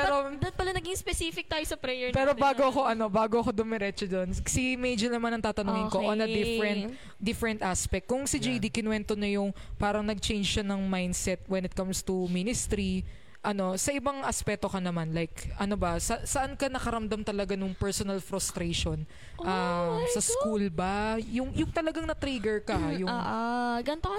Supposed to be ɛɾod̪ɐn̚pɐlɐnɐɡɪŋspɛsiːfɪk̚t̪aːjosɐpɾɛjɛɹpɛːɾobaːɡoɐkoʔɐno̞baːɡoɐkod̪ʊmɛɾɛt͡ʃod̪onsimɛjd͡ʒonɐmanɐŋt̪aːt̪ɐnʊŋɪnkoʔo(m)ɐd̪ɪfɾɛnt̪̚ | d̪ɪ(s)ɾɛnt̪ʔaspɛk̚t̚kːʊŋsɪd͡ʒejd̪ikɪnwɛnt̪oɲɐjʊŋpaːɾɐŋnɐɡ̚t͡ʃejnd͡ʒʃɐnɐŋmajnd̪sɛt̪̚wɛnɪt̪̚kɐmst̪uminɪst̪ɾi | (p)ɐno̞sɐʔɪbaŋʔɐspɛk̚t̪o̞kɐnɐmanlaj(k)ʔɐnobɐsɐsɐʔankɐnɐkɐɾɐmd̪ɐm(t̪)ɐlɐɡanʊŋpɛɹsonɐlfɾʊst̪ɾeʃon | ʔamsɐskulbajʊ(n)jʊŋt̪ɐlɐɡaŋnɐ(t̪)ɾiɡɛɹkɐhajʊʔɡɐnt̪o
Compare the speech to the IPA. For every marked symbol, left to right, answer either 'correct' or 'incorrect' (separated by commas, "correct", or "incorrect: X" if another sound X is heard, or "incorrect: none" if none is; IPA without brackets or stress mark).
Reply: incorrect: n, incorrect: f, incorrect: ʔ, correct, correct, incorrect: ŋ, correct